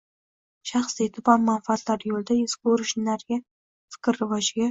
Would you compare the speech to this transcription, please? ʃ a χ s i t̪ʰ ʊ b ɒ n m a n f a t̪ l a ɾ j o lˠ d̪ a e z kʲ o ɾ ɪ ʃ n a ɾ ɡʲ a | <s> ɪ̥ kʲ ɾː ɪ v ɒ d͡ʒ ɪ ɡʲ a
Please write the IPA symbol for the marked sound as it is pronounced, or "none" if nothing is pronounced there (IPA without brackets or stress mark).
f